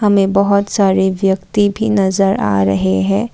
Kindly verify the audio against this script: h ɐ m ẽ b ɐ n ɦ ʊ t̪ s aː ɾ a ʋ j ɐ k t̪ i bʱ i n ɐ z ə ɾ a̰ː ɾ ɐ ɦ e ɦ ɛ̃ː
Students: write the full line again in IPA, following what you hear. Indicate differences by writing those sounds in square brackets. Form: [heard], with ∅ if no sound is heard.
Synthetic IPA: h ɐ m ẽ b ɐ [∅] ɦ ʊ t̪ s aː ɾ [e] ʋ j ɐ k t̪ i bʱ i n ɐ z ə ɾ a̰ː ɾ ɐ ɦ e ɦ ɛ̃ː